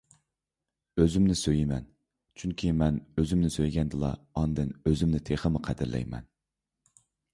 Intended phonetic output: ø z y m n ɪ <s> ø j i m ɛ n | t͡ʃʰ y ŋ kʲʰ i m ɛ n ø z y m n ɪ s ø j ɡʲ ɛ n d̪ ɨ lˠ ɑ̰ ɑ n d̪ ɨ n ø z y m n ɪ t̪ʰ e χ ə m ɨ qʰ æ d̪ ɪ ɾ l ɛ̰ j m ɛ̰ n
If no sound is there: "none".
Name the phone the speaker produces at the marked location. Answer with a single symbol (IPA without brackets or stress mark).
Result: s